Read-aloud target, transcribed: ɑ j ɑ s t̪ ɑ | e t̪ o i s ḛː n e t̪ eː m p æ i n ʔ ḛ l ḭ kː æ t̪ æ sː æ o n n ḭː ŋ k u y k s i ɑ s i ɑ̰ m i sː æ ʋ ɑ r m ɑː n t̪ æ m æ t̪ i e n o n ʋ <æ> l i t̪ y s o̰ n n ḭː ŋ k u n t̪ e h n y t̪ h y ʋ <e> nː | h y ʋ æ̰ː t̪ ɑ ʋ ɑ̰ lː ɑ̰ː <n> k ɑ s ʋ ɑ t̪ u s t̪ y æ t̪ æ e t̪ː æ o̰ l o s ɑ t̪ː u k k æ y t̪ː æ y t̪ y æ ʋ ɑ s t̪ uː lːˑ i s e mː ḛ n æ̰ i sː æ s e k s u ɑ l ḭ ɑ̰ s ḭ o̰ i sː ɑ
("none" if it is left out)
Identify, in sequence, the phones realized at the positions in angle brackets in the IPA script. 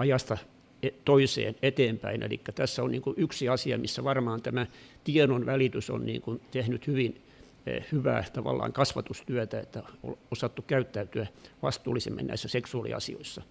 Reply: æ, i, ŋ

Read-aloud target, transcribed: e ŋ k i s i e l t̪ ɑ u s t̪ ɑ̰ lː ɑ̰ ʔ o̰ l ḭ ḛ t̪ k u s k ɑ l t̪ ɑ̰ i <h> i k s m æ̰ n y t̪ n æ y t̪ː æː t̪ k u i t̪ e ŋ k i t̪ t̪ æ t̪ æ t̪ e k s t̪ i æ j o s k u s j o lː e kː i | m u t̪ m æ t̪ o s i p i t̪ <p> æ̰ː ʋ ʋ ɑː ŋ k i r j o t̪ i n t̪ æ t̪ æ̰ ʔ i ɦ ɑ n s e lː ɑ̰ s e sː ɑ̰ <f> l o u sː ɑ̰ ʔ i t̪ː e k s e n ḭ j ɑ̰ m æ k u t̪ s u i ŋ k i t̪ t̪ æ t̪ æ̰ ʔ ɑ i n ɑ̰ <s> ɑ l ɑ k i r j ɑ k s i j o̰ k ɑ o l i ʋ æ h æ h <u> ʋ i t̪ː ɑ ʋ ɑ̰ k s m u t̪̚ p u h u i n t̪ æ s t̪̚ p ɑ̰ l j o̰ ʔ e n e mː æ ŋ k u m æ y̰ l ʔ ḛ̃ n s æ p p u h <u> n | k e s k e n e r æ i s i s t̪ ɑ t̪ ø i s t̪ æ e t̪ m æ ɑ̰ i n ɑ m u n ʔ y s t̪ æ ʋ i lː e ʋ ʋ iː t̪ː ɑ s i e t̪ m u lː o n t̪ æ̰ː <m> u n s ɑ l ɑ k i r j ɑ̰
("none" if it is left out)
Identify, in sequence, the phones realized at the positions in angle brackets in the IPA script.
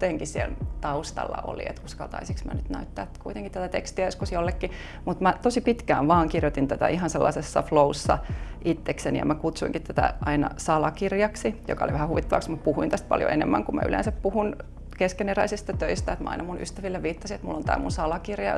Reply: s, k, f, s, u, u, m

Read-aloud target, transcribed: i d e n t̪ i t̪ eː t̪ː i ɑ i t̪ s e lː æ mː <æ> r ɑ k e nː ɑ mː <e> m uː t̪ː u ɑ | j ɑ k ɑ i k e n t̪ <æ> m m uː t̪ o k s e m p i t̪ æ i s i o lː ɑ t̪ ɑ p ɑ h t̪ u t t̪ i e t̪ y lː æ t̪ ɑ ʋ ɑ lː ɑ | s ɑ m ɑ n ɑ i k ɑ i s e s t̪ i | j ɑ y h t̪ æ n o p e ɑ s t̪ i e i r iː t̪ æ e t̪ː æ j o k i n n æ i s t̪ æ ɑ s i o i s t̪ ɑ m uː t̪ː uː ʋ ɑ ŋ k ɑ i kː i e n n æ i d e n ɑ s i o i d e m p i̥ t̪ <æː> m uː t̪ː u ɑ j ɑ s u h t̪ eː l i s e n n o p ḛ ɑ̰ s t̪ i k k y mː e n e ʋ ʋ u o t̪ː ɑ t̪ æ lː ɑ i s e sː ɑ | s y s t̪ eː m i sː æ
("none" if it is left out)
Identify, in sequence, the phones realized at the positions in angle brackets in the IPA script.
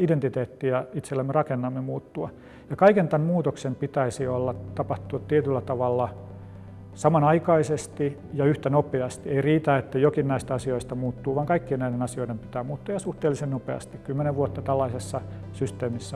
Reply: e, e, æ, æː

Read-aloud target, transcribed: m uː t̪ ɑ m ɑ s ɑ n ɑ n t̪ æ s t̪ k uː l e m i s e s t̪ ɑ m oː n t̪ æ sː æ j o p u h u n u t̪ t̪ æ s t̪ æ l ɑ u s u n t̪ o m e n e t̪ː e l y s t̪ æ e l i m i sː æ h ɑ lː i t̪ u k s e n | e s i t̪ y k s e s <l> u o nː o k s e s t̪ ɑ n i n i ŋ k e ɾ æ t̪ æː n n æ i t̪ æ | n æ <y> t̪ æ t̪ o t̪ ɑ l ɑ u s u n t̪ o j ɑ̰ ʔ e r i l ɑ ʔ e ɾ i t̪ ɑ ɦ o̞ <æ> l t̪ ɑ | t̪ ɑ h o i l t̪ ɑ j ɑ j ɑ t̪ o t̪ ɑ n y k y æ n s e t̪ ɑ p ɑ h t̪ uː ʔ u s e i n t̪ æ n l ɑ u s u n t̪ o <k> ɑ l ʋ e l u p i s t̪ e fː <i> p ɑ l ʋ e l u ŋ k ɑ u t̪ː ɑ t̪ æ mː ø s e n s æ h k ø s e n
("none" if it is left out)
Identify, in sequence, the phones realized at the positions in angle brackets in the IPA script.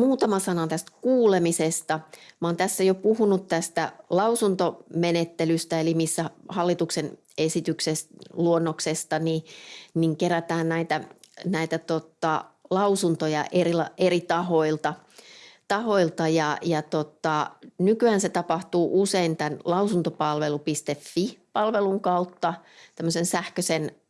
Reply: l, i, i, p, i

